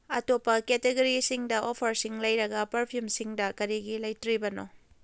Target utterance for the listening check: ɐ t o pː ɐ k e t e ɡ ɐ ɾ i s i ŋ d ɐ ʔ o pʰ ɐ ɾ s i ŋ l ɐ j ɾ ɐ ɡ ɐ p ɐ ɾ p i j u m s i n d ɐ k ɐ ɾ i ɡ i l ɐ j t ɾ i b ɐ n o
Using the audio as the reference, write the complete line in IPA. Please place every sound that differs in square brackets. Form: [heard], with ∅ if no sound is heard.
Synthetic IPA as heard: ɐ t o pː ɐ k e t e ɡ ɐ ɾ i s i ŋ d ɐ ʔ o pʰ ɐ ɾ s i ŋ l ɐ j ɾ ɐ ɡ ɐ p ɐ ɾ [pʰ] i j u m s i [ŋ] d ɐ k ɐ ɾ i ɡ i l ɐ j t ɾ i b ɐ n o